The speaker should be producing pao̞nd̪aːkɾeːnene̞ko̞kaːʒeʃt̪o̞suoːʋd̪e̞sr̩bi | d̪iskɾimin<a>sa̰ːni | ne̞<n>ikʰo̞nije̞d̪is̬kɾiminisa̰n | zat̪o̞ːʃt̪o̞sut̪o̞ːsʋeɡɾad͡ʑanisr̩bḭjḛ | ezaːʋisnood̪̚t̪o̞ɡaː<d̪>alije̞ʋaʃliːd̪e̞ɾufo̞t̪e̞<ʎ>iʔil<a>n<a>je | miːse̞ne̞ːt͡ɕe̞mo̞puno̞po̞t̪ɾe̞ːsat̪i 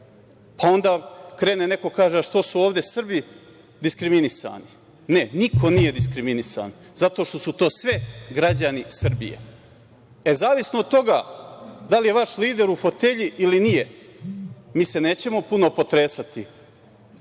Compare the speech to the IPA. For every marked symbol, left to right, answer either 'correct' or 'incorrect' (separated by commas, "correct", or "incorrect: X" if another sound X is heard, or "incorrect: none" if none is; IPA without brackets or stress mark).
incorrect: i, correct, correct, correct, incorrect: i, incorrect: i